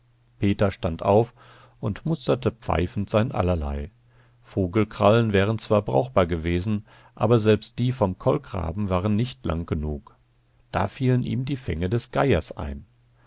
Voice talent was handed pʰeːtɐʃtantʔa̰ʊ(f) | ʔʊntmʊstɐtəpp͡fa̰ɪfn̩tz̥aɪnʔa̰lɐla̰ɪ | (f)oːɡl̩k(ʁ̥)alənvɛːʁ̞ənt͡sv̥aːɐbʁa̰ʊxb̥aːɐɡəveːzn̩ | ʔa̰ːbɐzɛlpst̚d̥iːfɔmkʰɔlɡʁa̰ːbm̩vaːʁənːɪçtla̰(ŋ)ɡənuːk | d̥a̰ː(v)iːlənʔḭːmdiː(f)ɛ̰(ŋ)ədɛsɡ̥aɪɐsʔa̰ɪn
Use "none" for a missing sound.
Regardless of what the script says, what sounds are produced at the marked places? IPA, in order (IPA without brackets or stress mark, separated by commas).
f, f, ʁ̥, ŋ, f, f, ŋ